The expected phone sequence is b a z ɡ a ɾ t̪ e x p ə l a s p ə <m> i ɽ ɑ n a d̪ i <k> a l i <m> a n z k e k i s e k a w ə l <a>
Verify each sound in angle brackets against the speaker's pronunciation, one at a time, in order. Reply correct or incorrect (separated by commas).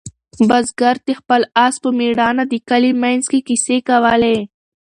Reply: correct, correct, correct, incorrect